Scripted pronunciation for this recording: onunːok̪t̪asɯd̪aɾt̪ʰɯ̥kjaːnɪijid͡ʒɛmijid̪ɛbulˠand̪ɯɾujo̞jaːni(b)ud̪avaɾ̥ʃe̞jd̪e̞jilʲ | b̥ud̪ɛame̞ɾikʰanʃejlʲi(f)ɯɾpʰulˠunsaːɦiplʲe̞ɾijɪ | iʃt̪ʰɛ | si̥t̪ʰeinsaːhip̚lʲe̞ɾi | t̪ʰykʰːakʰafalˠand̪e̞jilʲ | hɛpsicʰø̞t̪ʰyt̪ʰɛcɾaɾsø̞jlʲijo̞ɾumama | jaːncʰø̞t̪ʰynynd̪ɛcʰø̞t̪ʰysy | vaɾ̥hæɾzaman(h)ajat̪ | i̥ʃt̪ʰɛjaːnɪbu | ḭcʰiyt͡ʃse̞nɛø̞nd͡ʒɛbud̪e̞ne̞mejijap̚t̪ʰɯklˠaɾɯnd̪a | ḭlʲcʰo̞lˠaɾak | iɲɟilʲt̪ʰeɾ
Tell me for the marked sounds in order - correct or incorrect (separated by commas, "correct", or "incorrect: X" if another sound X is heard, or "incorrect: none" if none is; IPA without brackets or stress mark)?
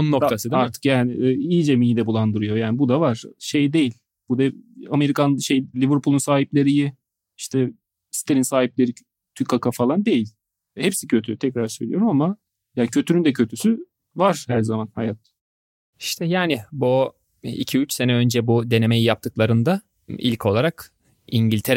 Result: correct, incorrect: v, correct